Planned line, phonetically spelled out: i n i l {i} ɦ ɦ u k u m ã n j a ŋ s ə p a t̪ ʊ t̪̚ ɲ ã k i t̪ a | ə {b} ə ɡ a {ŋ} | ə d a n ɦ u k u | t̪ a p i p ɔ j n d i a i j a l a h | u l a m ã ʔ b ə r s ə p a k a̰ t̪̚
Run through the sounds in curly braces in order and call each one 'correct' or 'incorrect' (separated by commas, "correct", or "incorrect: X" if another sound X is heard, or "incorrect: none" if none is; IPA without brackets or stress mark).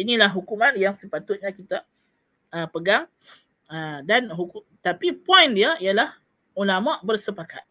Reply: incorrect: a, incorrect: p, correct